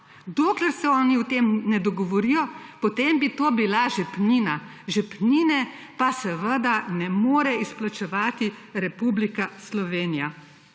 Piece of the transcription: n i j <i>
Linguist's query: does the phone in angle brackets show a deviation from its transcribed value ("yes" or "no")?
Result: yes